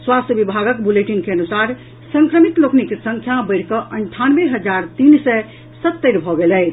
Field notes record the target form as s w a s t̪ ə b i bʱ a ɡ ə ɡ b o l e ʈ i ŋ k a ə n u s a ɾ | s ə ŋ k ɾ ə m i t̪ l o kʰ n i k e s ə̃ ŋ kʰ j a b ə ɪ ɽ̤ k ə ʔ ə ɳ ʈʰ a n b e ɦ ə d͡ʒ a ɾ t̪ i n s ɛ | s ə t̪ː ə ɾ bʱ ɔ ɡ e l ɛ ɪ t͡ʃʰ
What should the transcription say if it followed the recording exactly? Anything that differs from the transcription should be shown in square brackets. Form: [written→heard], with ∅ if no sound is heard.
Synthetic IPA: s w a s t̪ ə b i bʱ a ɡ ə [ɡ→k] b [o→u] l e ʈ i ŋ k [a→e] ə n u s a ɾ | s ə ŋ k ɾ ə m i t̪ l o [kʰ→k] n i k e s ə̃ ŋ kʰ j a b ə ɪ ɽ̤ k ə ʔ ə ɳ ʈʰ a n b e ɦ ə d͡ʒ a ɾ t̪ i n s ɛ | s ə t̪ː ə ɾ bʱ ɔ ɡ e l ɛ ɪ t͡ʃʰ